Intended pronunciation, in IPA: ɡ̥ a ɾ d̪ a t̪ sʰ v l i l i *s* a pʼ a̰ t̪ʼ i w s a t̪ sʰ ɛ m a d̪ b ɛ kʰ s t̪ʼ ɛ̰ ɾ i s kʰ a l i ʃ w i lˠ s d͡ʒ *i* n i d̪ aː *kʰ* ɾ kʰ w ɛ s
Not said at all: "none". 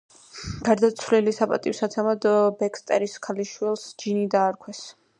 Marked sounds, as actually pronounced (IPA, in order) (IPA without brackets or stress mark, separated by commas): s, i, none